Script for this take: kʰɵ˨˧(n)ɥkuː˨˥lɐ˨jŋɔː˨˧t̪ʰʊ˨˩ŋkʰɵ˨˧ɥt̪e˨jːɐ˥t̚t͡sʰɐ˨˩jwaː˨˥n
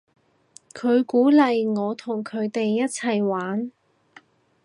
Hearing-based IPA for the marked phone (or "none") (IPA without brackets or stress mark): none